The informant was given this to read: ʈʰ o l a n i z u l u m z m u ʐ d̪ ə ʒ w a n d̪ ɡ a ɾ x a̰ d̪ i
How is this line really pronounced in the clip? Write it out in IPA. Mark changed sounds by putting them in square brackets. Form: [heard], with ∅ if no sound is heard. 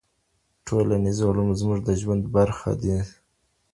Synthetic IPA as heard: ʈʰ o l a n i z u l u m z m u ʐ d̪ ə ʒ w a n d̪ [b] a ɾ x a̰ d̪ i